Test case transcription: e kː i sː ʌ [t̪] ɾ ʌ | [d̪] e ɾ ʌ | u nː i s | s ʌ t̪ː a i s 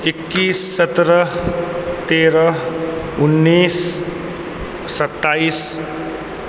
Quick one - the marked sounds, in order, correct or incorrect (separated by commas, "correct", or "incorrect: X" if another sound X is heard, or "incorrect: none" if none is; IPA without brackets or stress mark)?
correct, incorrect: t̪